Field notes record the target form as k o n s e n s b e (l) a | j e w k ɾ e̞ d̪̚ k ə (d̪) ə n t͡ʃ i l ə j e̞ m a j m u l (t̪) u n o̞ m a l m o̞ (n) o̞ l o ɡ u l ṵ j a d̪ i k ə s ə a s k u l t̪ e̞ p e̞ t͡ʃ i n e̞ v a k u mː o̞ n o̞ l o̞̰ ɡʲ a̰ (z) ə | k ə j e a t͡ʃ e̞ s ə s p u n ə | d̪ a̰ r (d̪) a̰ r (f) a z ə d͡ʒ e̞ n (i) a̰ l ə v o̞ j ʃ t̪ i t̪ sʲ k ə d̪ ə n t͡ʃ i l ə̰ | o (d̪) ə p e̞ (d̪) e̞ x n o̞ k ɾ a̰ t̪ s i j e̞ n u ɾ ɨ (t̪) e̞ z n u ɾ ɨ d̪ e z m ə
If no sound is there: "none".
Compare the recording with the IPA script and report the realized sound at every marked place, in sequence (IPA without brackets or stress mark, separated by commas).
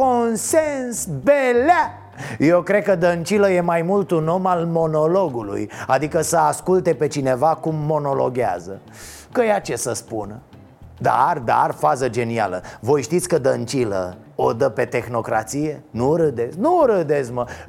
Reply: l, d̪, t̪, n, z, d̪, f, i, d̪, t̪, d̪